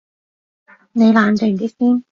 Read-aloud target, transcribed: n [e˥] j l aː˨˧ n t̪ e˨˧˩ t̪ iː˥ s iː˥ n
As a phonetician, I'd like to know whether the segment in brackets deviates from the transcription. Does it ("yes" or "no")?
yes